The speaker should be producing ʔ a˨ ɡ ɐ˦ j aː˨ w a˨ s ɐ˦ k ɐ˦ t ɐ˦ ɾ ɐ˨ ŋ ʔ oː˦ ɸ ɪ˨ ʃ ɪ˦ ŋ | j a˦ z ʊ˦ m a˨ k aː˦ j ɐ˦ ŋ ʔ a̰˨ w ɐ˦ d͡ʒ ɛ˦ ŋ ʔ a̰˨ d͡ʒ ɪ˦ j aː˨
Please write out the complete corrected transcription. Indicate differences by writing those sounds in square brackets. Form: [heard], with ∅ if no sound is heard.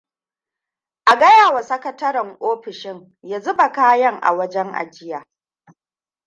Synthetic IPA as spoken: ʔ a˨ ɡ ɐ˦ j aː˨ w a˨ s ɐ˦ k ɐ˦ t ɐ˦ ɾ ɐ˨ ŋ ʔ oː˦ ɸ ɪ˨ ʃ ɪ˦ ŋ | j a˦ z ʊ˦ [b] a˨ k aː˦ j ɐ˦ ŋ ʔ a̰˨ w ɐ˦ d͡ʒ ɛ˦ ŋ ʔ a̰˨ d͡ʒ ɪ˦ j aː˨